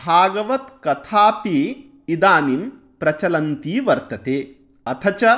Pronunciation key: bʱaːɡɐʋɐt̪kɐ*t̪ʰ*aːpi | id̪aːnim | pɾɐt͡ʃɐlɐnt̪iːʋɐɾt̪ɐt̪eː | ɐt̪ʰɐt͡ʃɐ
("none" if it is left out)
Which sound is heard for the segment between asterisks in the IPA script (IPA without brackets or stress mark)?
t̪ʰ